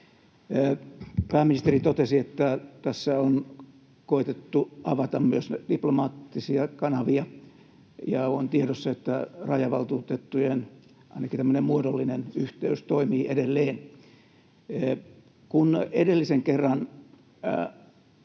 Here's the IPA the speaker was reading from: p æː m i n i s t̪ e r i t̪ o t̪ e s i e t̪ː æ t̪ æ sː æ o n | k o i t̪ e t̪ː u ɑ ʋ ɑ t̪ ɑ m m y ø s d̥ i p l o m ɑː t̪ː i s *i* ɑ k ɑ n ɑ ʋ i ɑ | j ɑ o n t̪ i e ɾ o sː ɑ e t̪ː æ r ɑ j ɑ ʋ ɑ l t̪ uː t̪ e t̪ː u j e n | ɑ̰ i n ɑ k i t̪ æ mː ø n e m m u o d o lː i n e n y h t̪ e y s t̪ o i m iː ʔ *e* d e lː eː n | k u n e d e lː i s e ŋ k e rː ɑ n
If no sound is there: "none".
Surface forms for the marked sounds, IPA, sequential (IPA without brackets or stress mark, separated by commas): i, e